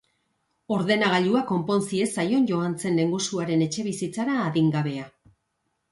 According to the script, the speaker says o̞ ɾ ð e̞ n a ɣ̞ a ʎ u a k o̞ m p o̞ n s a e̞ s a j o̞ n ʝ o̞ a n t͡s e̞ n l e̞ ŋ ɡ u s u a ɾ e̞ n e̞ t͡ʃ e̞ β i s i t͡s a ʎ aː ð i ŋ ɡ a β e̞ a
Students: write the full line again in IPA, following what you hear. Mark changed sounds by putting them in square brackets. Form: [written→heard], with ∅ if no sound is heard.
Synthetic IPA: o̞ ɾ ð e̞ n a ɣ̞ a ʎ u a k o̞ m p o̞ n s [a→i] e̞ s a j o̞ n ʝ o̞ a n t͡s e̞ n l e̞ ŋ ɡ u s u a ɾ e̞ n e̞ t͡ʃ e̞ β i s i t͡s a [ʎ→ɾ] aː ð i ŋ ɡ a β e̞ a